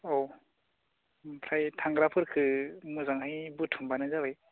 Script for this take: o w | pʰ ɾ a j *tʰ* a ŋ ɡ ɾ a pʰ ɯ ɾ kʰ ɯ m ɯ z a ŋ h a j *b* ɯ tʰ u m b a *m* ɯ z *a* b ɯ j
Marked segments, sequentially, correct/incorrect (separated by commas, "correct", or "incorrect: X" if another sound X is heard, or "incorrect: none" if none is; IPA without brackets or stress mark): correct, correct, incorrect: n, correct